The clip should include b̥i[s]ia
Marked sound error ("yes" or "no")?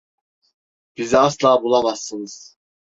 yes